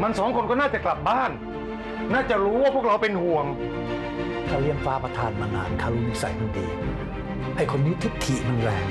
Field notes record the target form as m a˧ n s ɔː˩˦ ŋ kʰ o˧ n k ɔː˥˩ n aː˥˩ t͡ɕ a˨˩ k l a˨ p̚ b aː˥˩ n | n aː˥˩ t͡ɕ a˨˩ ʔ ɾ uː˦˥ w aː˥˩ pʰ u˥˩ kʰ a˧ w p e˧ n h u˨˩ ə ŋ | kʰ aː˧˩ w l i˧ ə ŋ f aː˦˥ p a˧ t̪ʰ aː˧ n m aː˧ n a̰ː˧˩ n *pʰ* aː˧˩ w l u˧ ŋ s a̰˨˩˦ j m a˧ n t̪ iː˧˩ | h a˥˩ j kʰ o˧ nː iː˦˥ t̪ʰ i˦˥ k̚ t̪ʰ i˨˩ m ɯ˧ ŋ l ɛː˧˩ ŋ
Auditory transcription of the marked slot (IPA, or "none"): kʰ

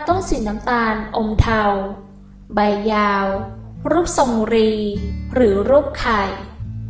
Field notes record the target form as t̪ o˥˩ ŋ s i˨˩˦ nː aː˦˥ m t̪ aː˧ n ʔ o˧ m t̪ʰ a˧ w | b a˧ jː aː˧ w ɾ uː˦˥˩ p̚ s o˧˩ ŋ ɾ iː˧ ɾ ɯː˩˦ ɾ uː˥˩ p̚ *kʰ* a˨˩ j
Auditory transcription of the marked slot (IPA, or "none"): kʰ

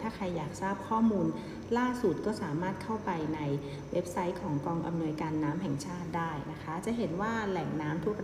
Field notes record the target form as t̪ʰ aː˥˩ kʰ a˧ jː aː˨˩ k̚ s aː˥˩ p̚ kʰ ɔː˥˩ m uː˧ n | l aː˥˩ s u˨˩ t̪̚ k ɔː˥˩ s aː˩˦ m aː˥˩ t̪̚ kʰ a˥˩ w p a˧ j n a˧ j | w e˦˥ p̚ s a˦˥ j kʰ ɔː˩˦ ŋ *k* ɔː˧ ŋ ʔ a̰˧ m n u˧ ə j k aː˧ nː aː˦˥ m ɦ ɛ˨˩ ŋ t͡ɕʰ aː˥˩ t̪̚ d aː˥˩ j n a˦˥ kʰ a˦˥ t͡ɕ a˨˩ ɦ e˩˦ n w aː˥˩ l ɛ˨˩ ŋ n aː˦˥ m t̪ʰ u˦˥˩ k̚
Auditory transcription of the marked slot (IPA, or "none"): k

